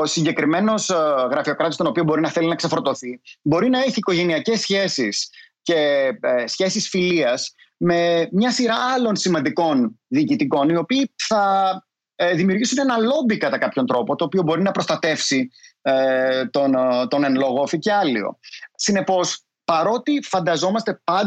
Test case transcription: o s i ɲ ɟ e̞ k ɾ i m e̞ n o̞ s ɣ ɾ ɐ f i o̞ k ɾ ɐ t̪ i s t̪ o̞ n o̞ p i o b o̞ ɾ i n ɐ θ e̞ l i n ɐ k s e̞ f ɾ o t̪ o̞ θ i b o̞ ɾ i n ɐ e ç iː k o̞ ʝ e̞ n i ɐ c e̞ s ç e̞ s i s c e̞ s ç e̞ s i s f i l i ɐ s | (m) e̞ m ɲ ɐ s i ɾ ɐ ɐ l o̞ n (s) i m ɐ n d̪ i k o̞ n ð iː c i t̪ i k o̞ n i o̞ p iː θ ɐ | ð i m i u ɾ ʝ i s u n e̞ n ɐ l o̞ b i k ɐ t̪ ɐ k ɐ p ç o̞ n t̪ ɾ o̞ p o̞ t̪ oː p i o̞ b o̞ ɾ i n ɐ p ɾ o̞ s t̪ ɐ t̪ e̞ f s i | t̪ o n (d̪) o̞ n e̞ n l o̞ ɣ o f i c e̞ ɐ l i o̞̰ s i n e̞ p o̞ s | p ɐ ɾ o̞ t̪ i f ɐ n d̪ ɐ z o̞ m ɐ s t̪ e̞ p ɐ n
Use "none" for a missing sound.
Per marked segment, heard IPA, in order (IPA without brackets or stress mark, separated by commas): m, s, t̪